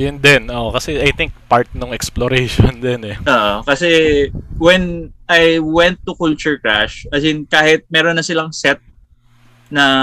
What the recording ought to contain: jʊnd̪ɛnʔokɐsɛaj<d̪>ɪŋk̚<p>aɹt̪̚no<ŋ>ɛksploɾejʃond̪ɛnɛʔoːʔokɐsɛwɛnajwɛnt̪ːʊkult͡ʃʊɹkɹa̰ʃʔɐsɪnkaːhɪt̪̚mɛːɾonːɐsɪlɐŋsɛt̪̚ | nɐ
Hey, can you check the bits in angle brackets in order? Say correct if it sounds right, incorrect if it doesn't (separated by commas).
incorrect, correct, correct